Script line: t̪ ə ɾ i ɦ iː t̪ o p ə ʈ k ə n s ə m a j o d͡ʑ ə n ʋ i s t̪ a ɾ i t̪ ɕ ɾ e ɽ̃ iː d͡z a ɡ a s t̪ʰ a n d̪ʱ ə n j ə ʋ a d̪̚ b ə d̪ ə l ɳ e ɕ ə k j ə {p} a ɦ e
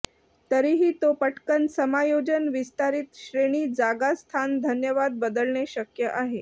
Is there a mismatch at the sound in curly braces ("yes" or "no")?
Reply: yes